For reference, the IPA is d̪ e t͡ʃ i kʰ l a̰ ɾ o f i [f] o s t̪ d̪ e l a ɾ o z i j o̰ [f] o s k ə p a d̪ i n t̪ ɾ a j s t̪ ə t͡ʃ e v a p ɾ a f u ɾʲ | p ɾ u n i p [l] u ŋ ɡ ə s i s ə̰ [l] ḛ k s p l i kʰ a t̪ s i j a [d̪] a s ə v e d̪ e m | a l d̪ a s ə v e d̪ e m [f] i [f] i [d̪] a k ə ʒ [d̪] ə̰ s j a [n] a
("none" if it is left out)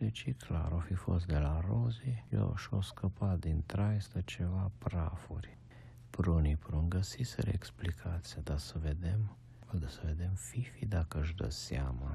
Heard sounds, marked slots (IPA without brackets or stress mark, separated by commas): f, ʃ, ɾ, ɾ, d̪, f, f, d̪, d̪, m